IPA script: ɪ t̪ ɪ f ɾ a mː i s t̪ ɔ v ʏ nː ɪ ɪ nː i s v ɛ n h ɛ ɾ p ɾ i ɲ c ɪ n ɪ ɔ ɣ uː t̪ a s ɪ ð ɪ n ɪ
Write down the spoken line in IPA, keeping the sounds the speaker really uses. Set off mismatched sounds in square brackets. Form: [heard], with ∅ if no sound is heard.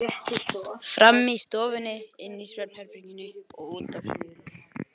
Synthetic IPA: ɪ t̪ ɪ f ɾ a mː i s t̪ [ɔː] v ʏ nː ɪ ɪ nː i s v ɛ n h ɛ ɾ p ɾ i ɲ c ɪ n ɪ ɔ ɣ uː t̪ a s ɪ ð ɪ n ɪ